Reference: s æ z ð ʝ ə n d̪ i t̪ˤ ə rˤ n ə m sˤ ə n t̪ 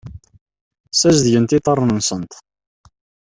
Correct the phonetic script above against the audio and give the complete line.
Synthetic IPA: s æ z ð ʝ ə n t̪ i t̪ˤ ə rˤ n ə n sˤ ə n t̪

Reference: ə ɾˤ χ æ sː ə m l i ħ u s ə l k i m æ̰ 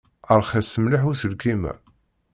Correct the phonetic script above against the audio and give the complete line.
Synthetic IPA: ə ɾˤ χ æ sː ə m l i ħ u s ə l k i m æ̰

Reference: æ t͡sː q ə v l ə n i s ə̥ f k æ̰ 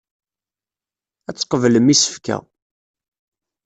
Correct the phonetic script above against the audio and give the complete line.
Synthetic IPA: æ t͡sː q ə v l ə m i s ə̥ f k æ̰

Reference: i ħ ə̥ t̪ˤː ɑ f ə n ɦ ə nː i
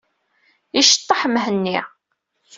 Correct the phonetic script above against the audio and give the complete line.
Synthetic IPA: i ʃ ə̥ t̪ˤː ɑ ħ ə m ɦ ə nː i

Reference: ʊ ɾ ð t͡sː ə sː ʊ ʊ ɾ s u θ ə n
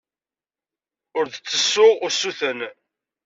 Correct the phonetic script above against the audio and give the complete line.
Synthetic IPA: ʊ ɾ ð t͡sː ə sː ʊ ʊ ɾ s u θ ə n

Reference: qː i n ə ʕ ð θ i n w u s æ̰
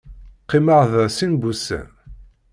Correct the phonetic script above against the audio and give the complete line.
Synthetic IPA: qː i m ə ʁ ð s i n b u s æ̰

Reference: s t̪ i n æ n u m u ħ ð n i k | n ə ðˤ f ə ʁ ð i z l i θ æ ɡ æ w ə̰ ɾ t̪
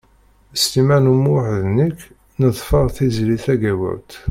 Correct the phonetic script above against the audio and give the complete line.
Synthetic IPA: s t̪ i m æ n u m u ħ ð n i k | n ə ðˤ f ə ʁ θ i z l i θ æ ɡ æ w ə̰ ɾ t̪

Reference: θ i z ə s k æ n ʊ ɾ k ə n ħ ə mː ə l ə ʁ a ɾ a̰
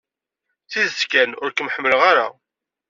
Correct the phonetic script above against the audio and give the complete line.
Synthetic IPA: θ i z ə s k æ n ʊ ɾ k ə m ħ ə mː ə l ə ʁ a ɾ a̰

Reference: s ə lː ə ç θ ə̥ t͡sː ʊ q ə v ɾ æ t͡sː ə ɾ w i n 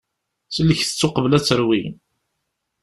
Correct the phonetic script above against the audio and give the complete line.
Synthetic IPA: s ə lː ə ç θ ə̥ t͡sː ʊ q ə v l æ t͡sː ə ɾ w i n

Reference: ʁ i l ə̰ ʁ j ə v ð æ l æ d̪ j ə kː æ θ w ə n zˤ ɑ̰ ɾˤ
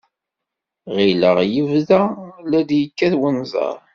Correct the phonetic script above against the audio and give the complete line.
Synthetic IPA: ʁ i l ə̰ ʁ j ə v ð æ l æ d̪ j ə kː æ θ w ə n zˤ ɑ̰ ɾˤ

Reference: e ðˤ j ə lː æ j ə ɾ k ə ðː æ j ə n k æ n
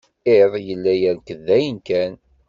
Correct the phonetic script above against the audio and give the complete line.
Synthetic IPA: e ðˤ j ə lː æ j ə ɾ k ə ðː æ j ə n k æ n

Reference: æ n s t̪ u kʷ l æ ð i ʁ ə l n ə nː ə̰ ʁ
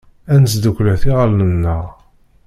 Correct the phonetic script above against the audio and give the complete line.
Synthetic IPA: æ n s d̪ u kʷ l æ θ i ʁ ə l n ə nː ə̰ ʁ

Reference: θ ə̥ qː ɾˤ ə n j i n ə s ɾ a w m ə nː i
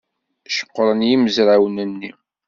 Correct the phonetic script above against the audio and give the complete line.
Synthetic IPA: ʃ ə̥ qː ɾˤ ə n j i m ə z ɾ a w n ə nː i

